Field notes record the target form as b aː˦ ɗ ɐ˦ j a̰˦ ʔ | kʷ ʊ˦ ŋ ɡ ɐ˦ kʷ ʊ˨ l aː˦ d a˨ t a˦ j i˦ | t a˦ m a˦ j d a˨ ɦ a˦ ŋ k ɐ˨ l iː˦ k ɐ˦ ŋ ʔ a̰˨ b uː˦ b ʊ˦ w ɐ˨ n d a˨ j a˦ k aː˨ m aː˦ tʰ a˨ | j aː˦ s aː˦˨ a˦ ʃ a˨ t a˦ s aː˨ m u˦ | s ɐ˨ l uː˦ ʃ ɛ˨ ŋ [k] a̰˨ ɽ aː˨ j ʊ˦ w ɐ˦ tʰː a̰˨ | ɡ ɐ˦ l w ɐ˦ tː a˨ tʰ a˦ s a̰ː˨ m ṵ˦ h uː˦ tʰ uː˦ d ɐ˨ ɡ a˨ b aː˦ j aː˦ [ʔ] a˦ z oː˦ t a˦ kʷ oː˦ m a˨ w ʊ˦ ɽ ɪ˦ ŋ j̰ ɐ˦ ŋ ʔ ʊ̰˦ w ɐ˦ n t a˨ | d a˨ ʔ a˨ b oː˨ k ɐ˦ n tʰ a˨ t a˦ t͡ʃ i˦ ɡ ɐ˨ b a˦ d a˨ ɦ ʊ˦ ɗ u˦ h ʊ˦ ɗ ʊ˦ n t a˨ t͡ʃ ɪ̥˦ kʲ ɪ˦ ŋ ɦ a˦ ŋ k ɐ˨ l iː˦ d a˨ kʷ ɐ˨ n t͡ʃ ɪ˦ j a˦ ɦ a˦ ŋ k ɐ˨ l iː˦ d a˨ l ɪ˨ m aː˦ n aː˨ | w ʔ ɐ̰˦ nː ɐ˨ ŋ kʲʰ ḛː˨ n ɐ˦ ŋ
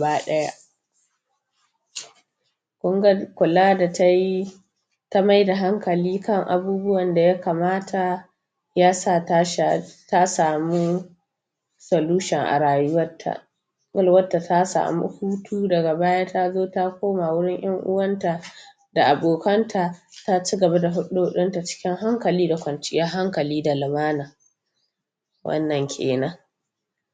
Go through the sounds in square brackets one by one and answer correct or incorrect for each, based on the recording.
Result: incorrect: ʔ, incorrect: t

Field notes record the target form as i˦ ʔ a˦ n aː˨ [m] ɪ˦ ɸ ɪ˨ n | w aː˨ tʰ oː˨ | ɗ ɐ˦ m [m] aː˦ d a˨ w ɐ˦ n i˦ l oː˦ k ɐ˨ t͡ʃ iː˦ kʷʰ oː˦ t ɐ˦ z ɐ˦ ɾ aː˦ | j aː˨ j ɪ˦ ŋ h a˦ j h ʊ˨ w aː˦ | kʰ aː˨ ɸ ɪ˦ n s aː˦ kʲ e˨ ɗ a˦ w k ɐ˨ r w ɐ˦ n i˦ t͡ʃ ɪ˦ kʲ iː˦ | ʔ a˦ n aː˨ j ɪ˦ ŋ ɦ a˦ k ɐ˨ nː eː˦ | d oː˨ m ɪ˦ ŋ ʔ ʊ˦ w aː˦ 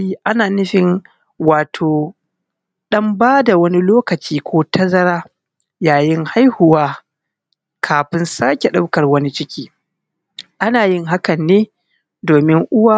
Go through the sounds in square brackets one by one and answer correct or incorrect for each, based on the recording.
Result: incorrect: n, incorrect: b

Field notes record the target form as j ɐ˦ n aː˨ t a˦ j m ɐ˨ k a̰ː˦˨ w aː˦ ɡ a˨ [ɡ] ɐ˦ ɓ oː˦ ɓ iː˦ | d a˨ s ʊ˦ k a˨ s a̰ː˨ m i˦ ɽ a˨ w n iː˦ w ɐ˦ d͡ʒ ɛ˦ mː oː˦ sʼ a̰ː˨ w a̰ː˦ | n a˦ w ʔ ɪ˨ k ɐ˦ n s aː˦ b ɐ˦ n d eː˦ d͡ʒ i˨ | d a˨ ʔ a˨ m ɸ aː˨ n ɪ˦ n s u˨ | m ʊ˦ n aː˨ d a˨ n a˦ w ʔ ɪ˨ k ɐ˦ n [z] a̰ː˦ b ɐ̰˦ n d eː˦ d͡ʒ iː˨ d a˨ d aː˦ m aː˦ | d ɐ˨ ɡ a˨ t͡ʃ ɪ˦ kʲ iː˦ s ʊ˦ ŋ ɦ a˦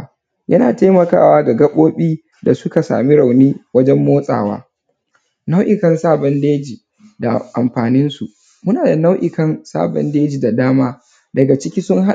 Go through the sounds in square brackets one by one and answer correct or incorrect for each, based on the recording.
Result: correct, incorrect: s

